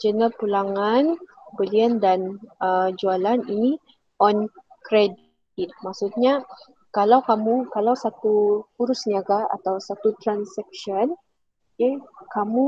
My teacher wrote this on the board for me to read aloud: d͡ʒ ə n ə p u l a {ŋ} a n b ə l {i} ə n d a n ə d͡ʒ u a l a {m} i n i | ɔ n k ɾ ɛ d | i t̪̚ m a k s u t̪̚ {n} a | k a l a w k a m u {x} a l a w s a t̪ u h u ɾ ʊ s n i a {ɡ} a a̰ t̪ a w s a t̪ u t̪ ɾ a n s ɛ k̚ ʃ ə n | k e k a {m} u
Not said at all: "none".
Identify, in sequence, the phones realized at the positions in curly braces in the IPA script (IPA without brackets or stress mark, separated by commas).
ŋ, i, n, ɲ, k, ɡ, m